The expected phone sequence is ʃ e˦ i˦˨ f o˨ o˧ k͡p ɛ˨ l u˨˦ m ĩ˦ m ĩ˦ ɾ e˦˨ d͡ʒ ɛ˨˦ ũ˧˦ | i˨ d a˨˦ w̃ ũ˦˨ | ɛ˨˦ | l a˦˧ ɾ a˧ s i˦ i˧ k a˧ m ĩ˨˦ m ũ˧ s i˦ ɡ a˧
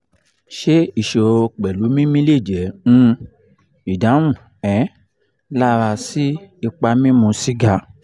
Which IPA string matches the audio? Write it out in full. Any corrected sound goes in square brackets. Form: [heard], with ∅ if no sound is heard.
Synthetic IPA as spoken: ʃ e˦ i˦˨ [ʃ] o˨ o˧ k͡p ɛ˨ l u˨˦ m ĩ˦ m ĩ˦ [l] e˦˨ d͡ʒ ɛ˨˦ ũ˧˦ | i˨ d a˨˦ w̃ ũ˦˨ | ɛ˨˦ | l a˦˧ ɾ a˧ s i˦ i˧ [k͡p] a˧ m [ĩ˦] m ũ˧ s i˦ ɡ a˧